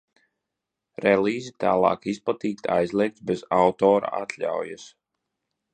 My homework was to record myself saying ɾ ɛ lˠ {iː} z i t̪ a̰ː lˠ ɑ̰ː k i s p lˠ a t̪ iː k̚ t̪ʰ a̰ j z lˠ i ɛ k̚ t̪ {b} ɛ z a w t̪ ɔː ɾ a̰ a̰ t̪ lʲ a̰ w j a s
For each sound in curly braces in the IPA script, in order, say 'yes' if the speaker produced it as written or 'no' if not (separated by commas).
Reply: yes, yes